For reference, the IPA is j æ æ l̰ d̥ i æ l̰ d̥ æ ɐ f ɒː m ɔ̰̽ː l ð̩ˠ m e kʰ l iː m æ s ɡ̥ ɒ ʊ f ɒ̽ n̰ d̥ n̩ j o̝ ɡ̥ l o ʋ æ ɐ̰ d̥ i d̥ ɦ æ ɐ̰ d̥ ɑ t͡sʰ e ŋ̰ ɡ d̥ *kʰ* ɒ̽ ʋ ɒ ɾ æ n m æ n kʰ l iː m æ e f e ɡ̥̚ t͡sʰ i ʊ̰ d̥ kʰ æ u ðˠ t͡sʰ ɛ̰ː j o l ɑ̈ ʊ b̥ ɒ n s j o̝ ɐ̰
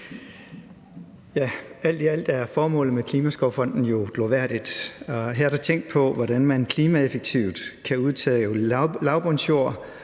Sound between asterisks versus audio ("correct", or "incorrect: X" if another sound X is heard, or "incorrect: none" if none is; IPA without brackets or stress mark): incorrect: pʰ